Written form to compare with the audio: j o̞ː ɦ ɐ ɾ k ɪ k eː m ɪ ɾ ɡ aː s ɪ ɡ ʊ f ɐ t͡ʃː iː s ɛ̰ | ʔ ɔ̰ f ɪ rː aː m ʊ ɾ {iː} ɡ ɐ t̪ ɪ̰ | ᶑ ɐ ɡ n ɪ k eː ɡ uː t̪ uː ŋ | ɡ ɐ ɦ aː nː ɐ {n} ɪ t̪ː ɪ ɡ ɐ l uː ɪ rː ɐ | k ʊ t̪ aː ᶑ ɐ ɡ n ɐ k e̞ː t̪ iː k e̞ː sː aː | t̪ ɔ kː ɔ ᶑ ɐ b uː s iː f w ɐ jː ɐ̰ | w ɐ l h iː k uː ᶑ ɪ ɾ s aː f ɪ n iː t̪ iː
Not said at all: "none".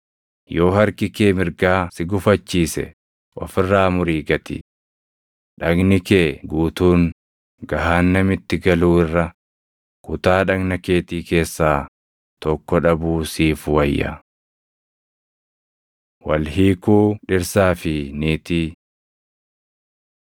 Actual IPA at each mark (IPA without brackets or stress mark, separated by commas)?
iː, m